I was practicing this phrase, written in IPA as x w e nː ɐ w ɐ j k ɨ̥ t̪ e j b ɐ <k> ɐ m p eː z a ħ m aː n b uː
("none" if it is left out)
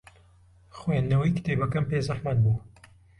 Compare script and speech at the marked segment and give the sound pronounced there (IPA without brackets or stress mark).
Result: k